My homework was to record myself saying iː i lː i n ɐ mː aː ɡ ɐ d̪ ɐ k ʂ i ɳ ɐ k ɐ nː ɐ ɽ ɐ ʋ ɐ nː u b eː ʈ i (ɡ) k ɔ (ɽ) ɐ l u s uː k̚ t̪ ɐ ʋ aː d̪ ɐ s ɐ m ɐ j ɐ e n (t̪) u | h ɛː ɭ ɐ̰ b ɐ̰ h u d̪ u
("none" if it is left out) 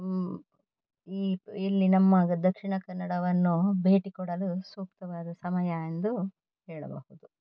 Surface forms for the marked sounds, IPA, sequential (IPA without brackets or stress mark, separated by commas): none, ɽ, d̪